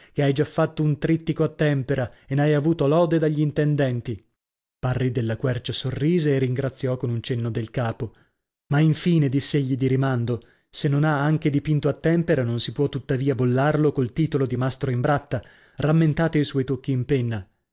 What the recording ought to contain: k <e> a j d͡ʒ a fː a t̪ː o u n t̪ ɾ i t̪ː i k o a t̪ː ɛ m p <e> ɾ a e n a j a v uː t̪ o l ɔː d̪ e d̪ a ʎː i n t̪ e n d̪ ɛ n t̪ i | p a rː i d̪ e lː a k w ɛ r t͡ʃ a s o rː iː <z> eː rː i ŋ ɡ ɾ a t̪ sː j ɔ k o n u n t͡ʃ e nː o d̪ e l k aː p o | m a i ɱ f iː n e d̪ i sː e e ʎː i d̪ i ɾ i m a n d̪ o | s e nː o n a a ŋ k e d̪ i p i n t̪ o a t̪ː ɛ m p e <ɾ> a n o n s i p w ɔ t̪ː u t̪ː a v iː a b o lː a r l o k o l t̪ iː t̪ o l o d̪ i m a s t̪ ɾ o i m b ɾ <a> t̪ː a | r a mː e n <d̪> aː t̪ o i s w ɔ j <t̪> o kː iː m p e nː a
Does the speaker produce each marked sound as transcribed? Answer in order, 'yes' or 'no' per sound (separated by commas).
yes, yes, yes, yes, yes, no, yes